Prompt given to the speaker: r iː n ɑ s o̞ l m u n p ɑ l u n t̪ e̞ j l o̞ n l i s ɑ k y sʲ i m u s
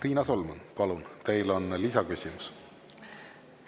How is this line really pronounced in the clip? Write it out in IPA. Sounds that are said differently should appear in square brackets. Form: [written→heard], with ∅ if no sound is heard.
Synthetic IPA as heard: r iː n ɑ s o̞ l m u n p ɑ l u n t̪ e̞ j l o̞ n l i s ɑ k y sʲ i m u s